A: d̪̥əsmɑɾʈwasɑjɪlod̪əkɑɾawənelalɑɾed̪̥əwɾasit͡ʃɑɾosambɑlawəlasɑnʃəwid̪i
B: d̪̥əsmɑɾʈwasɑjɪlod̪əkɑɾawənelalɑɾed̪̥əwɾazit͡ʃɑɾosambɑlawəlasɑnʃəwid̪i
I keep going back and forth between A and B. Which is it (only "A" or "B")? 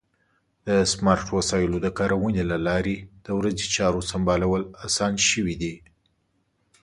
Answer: B